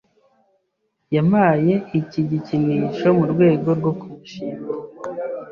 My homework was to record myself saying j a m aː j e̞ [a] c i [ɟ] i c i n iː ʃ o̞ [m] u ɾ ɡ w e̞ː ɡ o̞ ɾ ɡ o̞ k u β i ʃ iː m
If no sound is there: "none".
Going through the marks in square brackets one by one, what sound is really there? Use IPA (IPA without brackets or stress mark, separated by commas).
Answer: i, ɟ, m